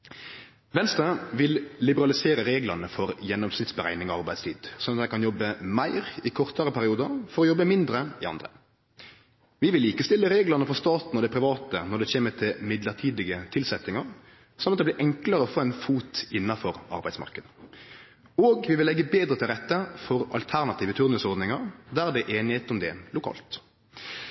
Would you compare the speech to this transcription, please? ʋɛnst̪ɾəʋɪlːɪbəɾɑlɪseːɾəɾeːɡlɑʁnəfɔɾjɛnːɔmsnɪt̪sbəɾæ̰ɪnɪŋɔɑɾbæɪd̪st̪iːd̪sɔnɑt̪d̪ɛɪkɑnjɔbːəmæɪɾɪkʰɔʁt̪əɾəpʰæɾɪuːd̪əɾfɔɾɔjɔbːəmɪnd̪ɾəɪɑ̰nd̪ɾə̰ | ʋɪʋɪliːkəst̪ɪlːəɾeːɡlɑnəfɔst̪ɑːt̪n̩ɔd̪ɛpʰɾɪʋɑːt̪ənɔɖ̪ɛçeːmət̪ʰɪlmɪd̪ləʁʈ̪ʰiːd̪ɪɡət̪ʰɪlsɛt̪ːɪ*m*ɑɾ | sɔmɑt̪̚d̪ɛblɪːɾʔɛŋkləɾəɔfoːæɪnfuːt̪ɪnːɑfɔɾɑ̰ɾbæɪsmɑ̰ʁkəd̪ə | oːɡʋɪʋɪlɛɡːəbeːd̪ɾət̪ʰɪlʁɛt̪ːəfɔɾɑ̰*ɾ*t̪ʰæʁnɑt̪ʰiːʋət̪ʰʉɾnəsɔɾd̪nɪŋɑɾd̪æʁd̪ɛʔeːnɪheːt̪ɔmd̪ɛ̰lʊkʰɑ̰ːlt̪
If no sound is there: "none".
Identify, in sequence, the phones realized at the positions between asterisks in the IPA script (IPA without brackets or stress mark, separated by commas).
ŋ, l